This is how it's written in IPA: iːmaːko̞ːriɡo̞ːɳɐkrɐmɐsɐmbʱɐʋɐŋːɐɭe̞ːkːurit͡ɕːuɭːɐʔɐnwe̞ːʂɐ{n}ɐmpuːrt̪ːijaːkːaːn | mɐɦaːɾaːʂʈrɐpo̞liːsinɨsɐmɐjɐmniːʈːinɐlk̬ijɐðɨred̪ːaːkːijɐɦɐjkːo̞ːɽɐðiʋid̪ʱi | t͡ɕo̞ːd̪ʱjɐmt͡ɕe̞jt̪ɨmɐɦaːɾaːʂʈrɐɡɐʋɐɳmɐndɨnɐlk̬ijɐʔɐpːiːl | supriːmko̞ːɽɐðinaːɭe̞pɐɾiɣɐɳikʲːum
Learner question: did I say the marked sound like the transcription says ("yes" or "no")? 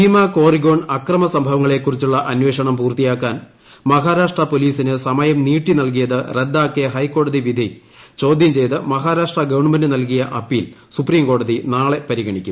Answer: no